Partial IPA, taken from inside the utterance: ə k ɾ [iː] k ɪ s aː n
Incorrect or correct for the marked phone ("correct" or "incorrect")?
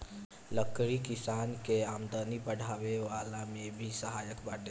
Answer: incorrect